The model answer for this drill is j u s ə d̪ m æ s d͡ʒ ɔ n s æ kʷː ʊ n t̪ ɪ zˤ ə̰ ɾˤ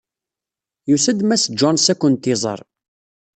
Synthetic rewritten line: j u s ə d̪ m æ s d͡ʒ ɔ n s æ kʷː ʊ n t̪ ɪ zˤ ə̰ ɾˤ

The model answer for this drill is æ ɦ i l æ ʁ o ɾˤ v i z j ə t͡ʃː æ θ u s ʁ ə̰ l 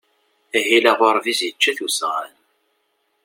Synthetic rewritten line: æ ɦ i l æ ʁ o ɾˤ v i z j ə t͡ʃː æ θ u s ʁ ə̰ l

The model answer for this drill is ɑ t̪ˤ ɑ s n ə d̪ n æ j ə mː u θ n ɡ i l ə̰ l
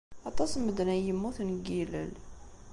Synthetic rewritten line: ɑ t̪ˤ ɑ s m ə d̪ n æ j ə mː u θ n ɡ i l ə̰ l

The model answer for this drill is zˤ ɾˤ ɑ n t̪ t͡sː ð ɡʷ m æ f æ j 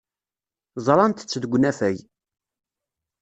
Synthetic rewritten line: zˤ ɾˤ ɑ n t̪ t͡sː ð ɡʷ n æ f æ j

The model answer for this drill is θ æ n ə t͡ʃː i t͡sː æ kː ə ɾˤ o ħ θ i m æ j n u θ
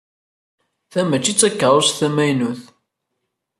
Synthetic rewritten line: θ æ m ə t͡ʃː i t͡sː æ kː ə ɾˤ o s θ æ m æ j n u θ

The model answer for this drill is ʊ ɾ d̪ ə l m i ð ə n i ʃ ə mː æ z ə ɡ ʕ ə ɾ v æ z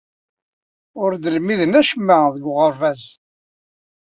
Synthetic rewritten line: ʊ ɾ d̪ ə l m i ð ə n æ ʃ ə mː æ ð ə ɡ ʁ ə ɾ v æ z

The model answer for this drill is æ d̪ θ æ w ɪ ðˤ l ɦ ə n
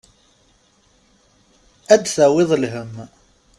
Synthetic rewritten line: æ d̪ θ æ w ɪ ðˤ l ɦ ə m

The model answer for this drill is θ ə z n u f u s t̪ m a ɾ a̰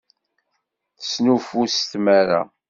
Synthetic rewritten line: θ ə s n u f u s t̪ m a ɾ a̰

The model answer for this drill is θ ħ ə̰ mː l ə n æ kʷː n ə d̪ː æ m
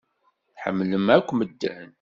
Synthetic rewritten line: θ ħ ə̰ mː l ə m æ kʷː m ə d̪ː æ n

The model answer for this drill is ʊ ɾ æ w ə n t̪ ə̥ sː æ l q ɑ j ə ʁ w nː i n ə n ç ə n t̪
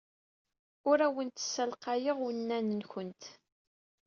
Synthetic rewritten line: ʊ ɾ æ w ə n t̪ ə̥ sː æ l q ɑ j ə ʁ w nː æ n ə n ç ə n t̪

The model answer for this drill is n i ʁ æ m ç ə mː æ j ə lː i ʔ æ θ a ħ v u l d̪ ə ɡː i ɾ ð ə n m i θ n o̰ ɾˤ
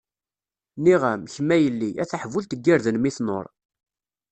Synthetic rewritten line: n i ʁ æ m ç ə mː æ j ə lː i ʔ æ θ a ħ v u l t̪ ə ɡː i ɾ ð ə n m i θ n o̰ ɾˤ

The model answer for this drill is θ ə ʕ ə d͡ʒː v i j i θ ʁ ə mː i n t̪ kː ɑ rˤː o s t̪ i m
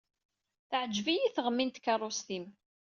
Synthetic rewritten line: θ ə ʕ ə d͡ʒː v i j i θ ʁ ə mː i n t̪ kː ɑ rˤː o s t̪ i m

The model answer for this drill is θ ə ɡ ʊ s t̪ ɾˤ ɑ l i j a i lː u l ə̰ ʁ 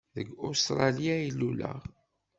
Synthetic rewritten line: ð ə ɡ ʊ s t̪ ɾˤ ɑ l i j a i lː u l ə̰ ʁ

